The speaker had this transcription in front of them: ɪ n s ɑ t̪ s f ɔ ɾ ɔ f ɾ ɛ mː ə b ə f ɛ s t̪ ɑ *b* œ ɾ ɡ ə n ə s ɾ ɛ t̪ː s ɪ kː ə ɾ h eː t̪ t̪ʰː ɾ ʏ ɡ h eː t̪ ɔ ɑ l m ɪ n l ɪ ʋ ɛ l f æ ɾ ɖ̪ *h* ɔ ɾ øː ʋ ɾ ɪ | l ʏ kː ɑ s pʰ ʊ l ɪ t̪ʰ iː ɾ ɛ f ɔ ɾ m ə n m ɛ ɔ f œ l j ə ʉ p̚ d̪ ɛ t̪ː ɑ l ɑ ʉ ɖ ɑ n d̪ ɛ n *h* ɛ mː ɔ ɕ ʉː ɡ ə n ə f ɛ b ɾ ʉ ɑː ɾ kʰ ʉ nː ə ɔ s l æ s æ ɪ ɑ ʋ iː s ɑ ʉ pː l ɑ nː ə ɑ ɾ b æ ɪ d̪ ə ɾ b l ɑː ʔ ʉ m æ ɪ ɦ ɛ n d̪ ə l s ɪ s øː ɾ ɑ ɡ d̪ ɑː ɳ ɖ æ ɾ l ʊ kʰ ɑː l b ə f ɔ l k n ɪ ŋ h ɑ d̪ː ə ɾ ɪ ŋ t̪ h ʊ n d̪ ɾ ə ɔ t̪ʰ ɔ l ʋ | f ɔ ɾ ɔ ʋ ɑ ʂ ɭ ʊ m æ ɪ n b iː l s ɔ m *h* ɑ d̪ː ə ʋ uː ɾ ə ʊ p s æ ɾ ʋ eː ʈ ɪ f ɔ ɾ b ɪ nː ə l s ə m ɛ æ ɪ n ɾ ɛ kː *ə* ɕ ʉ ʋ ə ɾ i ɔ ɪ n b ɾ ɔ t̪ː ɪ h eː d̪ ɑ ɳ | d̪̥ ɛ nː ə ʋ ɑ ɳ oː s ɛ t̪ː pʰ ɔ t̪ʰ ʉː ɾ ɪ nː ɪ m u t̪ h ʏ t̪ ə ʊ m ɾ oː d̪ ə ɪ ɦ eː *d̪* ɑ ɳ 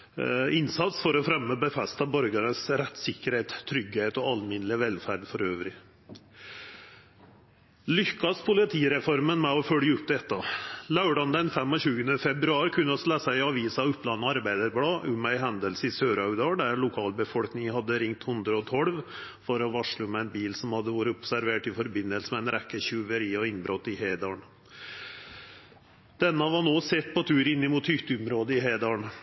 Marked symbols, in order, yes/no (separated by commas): yes, no, no, yes, yes, yes